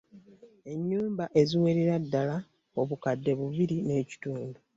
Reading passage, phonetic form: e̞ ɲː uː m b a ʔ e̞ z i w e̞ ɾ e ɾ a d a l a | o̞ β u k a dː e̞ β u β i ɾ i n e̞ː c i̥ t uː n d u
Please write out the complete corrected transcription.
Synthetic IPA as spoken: e̞ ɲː uː m b a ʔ e̞ z i w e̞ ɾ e ɾ a dː a l a | o̞ β u k a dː e̞ β u β i ɾ i n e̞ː c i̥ t uː n d u